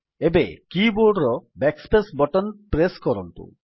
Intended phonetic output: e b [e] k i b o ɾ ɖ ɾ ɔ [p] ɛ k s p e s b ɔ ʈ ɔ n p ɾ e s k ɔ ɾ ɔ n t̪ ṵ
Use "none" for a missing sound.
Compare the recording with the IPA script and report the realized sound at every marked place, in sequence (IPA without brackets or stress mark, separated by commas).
e, b